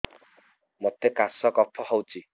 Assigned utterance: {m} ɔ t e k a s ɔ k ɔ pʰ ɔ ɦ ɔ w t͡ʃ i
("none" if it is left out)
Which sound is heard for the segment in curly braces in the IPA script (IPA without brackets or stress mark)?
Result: m